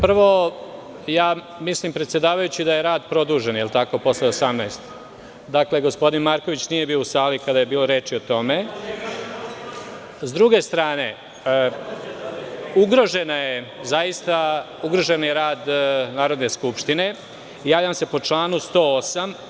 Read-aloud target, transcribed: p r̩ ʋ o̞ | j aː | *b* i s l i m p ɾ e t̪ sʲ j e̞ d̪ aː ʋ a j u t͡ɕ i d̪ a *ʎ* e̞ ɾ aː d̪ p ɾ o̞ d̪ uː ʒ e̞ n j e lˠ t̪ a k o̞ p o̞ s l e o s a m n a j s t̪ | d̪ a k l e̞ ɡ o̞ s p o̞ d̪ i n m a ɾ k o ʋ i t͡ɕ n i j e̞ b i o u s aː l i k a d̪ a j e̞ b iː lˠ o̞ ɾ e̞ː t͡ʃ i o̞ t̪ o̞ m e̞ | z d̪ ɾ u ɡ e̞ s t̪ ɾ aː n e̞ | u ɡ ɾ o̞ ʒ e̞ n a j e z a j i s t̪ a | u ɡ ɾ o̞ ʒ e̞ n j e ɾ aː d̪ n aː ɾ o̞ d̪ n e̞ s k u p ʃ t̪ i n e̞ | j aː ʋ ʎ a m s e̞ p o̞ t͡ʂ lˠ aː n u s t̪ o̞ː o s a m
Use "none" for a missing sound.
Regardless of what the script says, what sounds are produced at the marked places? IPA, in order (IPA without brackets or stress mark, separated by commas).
m, j